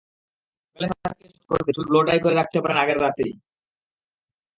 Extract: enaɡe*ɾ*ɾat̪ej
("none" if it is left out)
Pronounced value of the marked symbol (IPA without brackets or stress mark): ɾ